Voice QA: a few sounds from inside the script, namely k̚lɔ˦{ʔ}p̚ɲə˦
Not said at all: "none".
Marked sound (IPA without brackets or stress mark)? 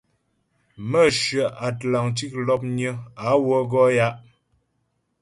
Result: none